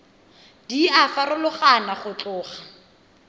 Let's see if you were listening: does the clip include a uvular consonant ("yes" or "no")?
yes